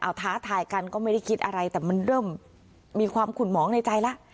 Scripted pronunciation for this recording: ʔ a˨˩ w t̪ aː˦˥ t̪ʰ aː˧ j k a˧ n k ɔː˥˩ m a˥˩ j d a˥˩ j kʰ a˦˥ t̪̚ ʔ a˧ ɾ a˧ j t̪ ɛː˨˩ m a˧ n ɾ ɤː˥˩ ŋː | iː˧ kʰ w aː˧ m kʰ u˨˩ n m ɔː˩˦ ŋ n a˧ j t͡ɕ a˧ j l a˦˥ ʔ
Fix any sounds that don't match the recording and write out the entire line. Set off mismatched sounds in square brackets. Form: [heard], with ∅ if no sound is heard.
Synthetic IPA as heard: ʔ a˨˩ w [t̪ʰ] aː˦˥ t̪ʰ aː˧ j k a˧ n k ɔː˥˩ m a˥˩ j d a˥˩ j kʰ [i˦˥] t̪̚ ʔ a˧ ɾ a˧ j t̪ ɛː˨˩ m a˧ n ɾ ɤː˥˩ [mː] | iː˧ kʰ w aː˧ m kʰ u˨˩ n m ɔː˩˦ ŋ n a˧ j t͡ɕ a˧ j l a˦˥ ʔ